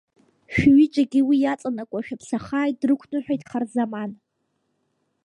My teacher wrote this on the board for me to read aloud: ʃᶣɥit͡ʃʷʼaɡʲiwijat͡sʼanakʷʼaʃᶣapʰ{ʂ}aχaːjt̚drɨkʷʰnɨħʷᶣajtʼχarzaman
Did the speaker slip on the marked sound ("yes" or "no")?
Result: yes